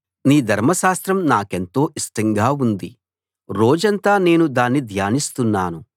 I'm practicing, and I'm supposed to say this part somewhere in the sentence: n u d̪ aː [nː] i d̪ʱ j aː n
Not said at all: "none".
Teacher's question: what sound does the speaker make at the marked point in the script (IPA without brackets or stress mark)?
nː